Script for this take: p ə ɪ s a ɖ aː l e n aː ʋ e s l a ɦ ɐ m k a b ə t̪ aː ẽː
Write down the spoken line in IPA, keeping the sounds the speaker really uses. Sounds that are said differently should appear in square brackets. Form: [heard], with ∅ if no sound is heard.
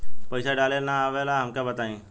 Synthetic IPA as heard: p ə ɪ s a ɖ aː l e n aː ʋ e [∅] l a ɦ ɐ m k a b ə t̪ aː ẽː